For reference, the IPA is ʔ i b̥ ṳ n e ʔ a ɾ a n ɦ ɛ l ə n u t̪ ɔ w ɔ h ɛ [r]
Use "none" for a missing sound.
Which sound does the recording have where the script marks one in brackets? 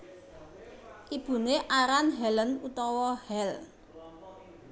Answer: l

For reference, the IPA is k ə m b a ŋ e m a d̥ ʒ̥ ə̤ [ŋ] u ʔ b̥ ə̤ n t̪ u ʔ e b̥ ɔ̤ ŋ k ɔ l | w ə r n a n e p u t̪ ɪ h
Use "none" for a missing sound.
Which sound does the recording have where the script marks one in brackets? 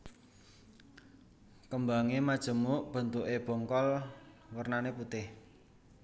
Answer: m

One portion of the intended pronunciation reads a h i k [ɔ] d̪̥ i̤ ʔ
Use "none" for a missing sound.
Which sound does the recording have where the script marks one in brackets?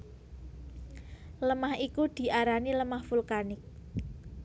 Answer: u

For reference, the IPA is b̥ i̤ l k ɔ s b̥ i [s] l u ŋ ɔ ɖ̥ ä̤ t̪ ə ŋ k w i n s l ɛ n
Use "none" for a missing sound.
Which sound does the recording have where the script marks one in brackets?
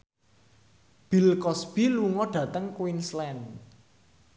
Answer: none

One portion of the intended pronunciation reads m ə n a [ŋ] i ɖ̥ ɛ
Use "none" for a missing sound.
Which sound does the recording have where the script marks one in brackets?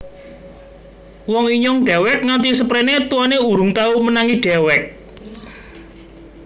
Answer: ŋ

